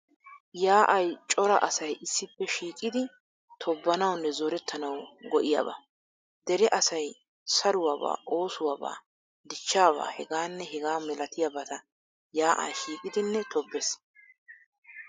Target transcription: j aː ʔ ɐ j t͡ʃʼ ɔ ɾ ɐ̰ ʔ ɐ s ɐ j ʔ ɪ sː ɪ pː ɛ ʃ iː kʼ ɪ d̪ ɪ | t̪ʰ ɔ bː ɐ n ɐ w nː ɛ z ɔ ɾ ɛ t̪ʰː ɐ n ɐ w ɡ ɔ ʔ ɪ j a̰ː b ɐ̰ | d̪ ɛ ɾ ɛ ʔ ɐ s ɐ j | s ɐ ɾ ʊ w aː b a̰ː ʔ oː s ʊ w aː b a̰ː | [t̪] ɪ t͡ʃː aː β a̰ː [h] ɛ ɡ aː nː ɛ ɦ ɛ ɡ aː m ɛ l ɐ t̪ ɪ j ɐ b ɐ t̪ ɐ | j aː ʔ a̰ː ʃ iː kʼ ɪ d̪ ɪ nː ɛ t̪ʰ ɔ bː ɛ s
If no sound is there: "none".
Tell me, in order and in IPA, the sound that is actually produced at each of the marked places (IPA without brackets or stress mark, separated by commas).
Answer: d̪, h